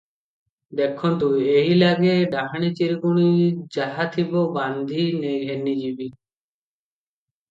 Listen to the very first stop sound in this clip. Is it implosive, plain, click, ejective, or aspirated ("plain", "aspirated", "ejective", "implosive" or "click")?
plain